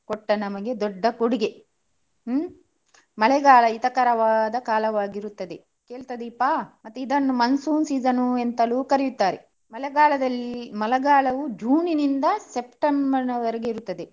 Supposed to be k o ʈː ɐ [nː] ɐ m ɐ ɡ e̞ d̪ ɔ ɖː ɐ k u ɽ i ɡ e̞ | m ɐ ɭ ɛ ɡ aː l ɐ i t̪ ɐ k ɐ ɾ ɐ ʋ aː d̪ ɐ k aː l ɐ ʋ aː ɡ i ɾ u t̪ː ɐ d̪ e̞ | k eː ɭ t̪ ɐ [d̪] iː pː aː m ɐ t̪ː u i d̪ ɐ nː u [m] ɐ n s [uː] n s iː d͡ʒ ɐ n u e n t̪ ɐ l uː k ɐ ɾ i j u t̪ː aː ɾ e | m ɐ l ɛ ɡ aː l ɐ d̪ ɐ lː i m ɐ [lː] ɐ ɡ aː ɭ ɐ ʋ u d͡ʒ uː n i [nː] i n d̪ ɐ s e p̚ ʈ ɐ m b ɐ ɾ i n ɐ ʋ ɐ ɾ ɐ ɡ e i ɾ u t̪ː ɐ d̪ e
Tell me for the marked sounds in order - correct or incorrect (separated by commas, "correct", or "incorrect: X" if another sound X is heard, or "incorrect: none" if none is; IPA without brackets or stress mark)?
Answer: incorrect: n, correct, correct, correct, incorrect: l, incorrect: n